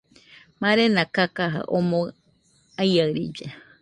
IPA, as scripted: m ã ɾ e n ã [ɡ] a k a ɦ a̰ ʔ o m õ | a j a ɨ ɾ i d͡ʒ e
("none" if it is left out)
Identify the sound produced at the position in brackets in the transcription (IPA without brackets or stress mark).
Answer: k